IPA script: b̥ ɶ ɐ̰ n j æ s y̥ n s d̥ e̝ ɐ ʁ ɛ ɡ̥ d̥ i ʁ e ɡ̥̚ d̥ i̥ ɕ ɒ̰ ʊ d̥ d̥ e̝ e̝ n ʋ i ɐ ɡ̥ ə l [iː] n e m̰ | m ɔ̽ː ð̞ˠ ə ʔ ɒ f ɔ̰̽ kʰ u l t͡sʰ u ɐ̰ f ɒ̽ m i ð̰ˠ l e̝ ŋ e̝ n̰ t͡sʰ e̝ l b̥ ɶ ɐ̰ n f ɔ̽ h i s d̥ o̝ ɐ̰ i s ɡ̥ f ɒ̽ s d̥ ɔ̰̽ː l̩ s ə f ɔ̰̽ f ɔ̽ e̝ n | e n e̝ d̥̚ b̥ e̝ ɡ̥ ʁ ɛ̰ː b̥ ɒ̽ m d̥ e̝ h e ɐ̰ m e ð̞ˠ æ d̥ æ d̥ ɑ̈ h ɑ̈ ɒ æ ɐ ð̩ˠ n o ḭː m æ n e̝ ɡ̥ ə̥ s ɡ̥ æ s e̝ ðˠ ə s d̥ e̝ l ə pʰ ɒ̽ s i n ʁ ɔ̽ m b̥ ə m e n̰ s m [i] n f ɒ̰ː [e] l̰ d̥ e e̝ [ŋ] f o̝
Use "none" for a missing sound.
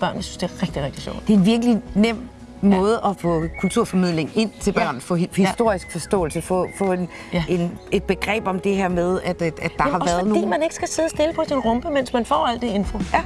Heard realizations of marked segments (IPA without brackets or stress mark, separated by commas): i, æ, æ, n